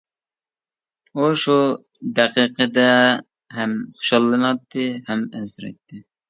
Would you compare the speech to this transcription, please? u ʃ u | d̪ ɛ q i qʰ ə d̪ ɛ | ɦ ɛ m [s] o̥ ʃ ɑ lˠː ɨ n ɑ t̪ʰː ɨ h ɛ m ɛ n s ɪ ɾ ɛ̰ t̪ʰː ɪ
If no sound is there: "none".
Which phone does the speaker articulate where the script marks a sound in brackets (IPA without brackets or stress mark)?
χ